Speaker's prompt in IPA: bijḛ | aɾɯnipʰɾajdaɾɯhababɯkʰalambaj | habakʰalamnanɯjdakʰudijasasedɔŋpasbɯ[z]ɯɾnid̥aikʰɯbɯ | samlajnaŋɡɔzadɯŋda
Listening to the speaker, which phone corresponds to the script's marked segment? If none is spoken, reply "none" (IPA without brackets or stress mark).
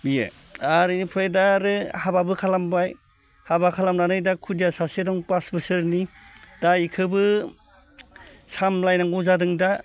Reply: s